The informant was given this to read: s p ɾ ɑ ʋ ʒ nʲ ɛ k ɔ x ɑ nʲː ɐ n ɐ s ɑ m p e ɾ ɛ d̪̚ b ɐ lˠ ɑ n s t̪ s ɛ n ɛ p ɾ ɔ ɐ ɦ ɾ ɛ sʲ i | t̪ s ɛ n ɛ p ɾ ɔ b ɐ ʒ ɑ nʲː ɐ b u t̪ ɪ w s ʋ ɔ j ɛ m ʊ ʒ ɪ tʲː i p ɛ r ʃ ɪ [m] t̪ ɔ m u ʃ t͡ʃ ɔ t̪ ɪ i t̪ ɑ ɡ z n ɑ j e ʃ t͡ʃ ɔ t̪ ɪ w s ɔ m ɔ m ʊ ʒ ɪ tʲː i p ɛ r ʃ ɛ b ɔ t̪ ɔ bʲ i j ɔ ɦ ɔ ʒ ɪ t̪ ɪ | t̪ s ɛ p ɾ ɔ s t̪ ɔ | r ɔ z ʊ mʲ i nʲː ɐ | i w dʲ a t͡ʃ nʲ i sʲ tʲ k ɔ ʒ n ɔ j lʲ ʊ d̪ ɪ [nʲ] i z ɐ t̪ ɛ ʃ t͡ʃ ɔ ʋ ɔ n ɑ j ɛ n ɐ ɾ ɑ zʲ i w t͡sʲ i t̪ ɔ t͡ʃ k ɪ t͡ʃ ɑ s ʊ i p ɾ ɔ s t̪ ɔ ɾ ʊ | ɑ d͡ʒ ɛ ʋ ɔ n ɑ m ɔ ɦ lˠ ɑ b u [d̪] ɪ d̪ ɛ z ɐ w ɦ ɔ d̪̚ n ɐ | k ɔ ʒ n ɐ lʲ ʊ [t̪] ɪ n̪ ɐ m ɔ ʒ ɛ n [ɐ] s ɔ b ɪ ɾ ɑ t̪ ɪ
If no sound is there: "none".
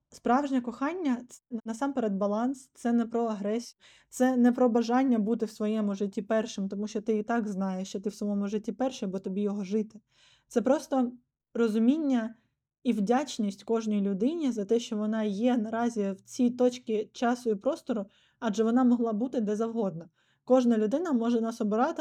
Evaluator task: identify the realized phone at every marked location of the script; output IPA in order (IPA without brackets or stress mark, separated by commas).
m, nʲ, t̪, d̪, ɑ